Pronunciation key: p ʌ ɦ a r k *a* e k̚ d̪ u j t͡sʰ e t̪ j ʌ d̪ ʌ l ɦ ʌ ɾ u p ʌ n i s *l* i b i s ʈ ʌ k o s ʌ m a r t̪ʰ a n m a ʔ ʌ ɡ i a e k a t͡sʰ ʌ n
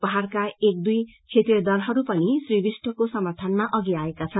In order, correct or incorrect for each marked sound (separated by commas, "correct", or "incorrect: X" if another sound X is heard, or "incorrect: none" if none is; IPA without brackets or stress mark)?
correct, incorrect: r